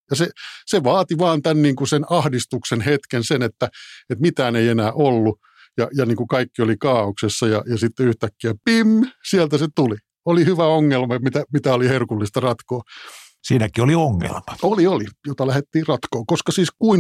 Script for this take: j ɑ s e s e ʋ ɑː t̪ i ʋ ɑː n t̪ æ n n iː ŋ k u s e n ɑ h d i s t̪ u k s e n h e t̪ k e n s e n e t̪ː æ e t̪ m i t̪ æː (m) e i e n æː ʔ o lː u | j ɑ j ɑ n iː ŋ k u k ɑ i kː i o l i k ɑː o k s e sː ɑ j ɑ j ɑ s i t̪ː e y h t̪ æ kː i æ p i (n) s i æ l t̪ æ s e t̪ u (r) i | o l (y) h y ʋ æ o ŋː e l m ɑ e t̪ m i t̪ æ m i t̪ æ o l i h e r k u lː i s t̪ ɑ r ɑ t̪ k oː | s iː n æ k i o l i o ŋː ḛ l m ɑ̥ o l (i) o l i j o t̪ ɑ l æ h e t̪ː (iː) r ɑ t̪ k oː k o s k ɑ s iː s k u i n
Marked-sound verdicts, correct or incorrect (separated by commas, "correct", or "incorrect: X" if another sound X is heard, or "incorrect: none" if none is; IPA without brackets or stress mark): incorrect: n, incorrect: m, incorrect: l, incorrect: i, correct, correct